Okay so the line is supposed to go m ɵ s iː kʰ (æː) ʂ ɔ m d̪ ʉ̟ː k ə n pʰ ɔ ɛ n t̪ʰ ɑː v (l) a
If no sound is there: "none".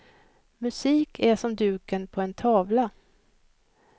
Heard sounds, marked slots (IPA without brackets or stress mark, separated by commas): æ, l